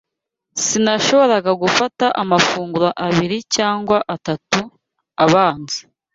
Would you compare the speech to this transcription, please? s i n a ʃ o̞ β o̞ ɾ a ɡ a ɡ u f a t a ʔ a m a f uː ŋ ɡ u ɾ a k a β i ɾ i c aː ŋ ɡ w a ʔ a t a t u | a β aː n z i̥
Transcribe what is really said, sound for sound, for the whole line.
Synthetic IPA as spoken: s i n a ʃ o̞ β o̞ ɾ a ɡ a ɡ u f a t a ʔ a m a f uː ŋ ɡ u ɾ a ʔ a β i ɾ i c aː ŋ ɡ w a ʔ a t a t u | a β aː n z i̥